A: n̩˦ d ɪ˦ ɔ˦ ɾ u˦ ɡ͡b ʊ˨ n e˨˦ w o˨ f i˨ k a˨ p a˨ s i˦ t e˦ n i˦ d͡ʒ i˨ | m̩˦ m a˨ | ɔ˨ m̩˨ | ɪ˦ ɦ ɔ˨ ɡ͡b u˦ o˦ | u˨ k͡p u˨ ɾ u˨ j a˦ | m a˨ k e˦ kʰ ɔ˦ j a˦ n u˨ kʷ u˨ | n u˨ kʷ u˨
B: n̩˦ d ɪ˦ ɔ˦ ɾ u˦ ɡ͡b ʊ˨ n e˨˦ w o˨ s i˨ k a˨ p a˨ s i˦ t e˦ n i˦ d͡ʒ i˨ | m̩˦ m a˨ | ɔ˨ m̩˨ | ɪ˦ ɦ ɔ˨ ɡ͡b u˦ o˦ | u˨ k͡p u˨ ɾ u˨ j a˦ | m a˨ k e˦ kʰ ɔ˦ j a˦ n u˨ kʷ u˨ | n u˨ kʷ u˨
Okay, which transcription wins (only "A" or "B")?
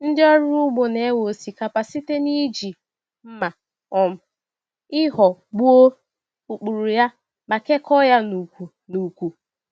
B